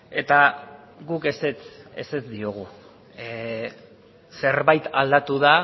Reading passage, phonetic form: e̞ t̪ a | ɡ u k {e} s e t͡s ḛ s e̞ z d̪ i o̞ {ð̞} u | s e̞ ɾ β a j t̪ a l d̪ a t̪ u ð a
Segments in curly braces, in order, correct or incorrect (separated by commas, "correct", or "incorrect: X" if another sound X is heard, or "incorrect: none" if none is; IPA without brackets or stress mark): correct, incorrect: ɣ̞